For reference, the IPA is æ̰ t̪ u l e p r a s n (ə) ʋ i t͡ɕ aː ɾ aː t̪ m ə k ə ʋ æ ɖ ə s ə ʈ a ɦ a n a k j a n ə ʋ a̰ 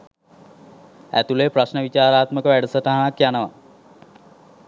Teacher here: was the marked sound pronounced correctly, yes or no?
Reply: yes